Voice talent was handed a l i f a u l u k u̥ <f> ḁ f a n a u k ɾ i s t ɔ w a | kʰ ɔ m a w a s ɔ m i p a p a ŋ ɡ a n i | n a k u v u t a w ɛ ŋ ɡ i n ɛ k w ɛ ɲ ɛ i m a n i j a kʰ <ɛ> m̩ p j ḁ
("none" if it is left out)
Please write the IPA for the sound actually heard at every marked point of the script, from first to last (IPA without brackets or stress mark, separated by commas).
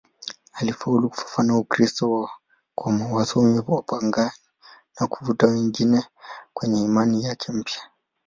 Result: f, ɛ